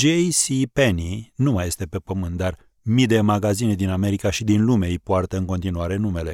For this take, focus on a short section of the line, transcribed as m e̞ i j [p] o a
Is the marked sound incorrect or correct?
correct